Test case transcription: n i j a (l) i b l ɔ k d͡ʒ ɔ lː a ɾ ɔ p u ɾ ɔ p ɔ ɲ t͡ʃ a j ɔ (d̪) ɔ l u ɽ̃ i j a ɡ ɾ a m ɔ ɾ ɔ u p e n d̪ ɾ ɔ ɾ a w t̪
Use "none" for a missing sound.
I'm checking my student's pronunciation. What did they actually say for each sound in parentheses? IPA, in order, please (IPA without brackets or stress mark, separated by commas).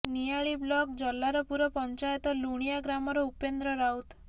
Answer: ɭ, t̪